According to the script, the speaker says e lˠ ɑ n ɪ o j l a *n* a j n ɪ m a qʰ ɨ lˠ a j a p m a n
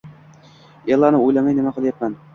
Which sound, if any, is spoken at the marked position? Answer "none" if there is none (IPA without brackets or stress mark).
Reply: m